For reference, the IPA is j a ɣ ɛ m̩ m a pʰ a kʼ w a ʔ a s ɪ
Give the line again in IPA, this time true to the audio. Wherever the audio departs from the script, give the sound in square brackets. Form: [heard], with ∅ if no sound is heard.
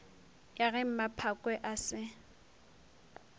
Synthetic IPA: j a ɣ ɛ m̩ m a pʰ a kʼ w [ɛ] ʔ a s ɪ